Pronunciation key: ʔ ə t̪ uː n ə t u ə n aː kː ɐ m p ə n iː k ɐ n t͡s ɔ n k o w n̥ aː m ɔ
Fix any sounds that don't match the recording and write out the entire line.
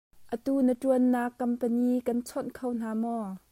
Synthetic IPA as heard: ʔ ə t̪ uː n ə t u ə nː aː kː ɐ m p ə n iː k ɐ n t͡sʰ ɔ n kʰ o w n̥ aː m ɔ